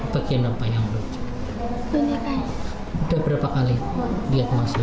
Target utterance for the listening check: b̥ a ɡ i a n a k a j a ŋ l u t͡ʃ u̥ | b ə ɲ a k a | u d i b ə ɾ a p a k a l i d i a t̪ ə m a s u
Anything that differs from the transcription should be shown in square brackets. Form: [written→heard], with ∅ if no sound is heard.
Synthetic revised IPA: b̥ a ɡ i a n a [k→p] a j a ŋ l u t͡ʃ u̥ | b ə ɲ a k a | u d [i→a] b ə ɾ a p a k a l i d i a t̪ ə m a s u